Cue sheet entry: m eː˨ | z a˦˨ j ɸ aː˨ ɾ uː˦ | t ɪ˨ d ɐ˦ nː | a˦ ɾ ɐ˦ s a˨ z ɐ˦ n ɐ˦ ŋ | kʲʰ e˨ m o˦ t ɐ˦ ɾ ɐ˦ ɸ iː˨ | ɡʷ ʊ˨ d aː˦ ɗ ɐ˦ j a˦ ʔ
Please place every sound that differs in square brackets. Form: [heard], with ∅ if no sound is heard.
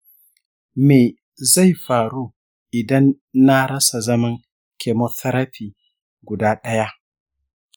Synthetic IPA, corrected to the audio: m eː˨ | z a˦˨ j ɸ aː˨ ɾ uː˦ | [ʔ] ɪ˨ d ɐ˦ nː | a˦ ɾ ɐ˦ s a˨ z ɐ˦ [m] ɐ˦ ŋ | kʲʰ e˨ m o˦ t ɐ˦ ɾ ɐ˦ ɸ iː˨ | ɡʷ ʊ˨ d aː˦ ɗ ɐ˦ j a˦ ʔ